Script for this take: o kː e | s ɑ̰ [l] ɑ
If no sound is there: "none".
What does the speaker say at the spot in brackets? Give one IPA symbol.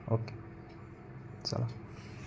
l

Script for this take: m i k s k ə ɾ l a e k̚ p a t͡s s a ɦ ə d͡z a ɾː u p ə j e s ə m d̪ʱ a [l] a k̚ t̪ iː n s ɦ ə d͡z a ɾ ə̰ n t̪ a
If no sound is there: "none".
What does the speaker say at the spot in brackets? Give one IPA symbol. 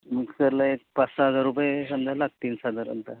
l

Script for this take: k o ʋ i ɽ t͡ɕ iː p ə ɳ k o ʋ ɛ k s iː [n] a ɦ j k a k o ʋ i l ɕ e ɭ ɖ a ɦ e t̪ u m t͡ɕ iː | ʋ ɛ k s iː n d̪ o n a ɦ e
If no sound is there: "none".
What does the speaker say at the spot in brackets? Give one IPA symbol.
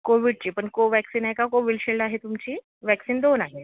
n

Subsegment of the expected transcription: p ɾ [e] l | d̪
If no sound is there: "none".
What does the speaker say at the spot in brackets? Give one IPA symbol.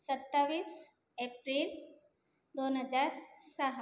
i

